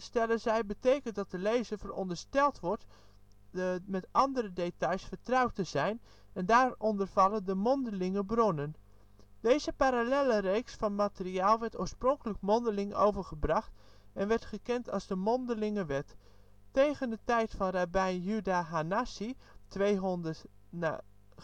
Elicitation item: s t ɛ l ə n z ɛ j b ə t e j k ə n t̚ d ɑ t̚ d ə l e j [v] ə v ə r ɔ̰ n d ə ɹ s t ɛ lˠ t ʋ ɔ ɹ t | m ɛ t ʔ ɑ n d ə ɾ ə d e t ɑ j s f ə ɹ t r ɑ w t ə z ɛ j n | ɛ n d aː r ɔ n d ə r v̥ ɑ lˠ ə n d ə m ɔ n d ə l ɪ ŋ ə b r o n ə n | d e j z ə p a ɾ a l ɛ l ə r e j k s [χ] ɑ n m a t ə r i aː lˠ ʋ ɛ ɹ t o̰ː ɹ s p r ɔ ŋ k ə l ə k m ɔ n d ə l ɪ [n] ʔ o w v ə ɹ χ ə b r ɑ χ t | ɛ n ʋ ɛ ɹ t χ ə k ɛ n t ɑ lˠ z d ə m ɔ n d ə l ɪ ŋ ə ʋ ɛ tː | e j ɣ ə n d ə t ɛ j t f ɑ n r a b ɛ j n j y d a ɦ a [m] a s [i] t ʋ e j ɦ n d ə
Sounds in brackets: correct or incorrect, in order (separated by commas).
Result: incorrect, incorrect, incorrect, incorrect, correct